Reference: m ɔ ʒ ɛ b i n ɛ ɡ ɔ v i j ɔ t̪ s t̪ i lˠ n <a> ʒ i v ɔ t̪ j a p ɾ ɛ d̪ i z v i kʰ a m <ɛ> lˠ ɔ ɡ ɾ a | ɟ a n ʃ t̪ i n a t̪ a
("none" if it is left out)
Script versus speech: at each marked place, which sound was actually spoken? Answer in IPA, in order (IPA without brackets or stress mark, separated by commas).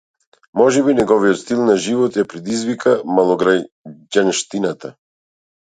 a, a